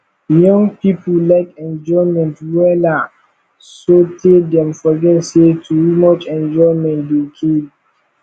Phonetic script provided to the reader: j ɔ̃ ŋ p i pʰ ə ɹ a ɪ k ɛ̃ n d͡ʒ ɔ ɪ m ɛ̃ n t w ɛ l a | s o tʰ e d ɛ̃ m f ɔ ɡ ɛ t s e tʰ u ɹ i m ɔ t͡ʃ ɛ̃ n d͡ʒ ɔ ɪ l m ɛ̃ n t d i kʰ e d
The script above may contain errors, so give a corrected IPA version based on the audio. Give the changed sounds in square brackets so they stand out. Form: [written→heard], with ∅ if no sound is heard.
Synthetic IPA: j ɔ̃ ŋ p i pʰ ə [ɹ→l] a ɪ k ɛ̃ n d͡ʒ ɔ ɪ m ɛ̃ n t w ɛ l a | s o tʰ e d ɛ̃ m f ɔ ɡ ɛ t s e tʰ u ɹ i m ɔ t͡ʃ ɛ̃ n d͡ʒ ɔ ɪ [l→∅] m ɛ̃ n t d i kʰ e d